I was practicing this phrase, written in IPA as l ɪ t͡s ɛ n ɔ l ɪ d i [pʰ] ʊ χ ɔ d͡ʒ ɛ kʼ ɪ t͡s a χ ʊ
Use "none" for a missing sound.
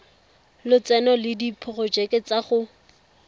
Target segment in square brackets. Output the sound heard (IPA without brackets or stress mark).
pʰ